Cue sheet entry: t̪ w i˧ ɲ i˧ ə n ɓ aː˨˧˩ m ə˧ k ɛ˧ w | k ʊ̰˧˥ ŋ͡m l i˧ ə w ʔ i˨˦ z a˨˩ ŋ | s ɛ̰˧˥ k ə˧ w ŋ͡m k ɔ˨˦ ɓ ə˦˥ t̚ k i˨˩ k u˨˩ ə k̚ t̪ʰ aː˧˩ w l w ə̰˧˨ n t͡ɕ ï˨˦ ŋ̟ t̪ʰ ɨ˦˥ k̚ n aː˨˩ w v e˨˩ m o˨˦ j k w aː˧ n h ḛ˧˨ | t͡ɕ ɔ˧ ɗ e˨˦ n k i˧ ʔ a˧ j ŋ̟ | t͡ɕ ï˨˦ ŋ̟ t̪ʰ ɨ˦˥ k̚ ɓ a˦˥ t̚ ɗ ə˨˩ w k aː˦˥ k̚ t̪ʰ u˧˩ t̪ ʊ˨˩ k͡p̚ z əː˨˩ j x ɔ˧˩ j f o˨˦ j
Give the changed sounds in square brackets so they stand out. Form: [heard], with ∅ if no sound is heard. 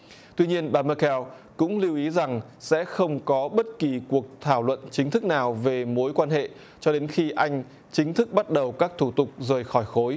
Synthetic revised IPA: t̪ w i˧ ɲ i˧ ə n ɓ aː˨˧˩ m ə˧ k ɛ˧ w | k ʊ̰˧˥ ŋ͡m l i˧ ə w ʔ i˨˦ z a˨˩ ŋ | s ɛ̰˧˥ [x] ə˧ w ŋ͡m k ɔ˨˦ ɓ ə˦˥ t̚ k i˨˩ k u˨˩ ə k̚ t̪ʰ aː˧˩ w l w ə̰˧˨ n t͡ɕ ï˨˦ ŋ̟ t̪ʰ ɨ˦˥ k̚ n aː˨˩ w v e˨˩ m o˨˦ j k w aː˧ n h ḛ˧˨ | t͡ɕ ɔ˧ ɗ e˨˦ n [x] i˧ ʔ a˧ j ŋ̟ | t͡ɕ ï˨˦ ŋ̟ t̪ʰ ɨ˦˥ k̚ ɓ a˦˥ t̚ ɗ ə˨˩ w k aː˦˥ k̚ t̪ʰ u˧˩ t̪ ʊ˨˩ k͡p̚ z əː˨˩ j x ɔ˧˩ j [x] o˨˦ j